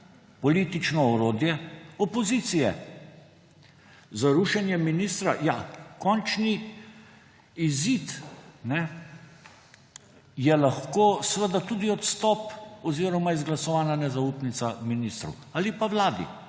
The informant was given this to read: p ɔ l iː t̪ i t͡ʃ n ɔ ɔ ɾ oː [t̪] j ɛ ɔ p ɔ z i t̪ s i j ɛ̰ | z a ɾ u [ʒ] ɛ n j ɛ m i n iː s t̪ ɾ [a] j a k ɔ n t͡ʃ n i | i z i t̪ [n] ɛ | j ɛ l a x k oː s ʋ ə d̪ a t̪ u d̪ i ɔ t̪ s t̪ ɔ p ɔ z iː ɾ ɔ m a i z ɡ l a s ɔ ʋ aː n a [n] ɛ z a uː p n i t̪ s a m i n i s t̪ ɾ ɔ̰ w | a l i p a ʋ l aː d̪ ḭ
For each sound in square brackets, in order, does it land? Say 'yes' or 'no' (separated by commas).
no, no, yes, yes, yes